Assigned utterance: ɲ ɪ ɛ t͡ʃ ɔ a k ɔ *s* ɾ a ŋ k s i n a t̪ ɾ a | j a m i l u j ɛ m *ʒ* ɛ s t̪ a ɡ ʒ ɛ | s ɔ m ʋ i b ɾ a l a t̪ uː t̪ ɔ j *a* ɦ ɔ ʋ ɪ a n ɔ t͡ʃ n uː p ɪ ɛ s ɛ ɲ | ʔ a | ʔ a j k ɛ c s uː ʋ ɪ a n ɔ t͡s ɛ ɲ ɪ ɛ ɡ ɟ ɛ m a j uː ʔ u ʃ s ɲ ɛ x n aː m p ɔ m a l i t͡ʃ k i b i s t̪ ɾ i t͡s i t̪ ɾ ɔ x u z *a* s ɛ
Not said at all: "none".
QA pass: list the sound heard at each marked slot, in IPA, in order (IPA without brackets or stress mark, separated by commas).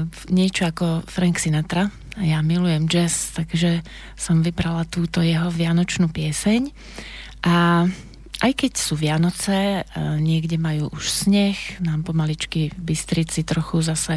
f, d͡ʒ, ɛ, a